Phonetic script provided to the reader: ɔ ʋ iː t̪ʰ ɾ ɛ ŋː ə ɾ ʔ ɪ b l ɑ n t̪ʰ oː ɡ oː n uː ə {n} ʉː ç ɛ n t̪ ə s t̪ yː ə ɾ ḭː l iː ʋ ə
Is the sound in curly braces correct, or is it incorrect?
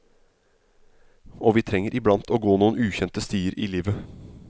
correct